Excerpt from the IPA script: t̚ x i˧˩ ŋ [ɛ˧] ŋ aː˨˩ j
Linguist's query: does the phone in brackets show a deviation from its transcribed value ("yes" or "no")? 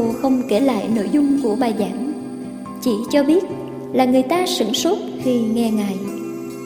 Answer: no